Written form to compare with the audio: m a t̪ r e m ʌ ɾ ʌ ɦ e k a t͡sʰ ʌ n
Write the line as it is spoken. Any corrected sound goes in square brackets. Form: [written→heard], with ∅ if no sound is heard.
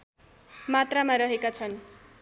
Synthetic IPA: m a t̪ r [e→a] m [ʌ→a] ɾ ʌ ɦ e k a t͡sʰ ʌ n